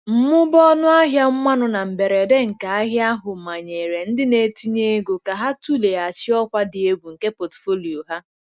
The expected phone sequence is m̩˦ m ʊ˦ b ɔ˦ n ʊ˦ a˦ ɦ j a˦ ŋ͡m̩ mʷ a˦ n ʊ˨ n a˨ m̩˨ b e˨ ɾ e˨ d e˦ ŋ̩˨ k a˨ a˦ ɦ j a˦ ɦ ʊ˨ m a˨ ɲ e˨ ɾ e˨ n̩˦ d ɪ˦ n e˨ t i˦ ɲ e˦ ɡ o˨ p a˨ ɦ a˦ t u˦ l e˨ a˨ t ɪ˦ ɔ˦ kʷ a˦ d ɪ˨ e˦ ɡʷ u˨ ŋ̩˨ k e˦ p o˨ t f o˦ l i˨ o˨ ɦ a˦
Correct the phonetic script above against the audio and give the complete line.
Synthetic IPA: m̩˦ m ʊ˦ b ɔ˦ n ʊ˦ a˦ ɦ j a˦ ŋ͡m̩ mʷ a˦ n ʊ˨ n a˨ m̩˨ b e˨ ɾ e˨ d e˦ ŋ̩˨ k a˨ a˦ ɦ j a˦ ɦ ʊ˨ m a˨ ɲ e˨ ɾ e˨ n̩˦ d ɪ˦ n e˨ t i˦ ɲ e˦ ɡ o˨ k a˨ ɦ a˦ t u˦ l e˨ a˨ t͡ʃ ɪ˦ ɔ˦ kʷ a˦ d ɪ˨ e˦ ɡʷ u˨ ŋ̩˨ k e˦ p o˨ t f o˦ l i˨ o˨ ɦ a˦